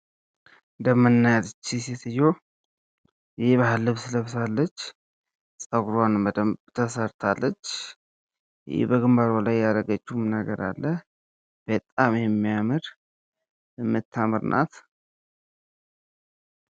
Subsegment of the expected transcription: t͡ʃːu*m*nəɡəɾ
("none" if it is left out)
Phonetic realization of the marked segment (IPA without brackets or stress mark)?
m